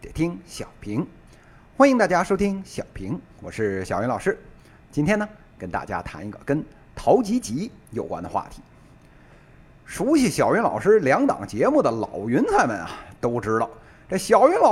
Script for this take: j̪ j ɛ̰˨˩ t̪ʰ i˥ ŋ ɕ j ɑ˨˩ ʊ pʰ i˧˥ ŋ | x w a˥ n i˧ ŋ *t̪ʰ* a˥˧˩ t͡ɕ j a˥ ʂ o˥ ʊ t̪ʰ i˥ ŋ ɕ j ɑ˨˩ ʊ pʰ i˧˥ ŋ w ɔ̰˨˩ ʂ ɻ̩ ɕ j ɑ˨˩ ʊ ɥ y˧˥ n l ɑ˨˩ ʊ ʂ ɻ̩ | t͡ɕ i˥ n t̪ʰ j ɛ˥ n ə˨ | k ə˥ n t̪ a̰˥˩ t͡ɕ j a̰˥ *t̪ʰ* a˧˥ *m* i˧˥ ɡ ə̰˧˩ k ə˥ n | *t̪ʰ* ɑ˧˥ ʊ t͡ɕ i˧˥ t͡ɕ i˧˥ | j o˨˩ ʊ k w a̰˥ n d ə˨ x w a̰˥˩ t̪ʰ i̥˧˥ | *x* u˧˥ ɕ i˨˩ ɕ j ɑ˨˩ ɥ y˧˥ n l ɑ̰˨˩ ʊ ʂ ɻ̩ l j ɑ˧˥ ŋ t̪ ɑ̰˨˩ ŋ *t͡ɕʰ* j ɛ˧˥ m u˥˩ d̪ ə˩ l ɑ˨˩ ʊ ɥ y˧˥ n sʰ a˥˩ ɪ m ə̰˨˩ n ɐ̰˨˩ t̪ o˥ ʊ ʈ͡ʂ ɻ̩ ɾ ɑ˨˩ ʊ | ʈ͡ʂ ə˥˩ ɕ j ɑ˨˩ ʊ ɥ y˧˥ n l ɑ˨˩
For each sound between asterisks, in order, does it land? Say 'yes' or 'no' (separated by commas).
no, yes, no, yes, no, no